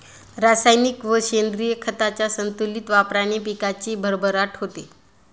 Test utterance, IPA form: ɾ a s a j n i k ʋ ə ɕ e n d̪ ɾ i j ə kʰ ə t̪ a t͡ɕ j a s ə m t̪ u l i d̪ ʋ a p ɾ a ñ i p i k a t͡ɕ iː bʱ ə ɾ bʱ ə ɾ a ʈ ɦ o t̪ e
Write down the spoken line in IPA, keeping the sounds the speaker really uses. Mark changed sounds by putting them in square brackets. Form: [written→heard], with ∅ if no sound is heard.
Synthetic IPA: ɾ a s a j n i k ʋ ə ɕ e n d̪ ɾ i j ə kʰ ə t̪ a t͡ɕ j a s ə [m→n] t̪ u l i [d̪→t̪] ʋ a p ɾ a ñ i p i k a t͡ɕ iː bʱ ə ɾ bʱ ə ɾ a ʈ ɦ o t̪ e